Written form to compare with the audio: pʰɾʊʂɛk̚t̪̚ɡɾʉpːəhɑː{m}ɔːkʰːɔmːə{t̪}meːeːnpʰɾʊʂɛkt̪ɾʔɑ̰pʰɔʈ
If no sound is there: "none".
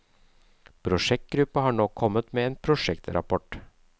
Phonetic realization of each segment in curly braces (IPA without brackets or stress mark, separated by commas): ɳ, t̪